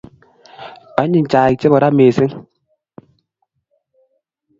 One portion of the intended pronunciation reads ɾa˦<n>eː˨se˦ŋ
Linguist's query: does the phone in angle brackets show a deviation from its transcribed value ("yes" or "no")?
yes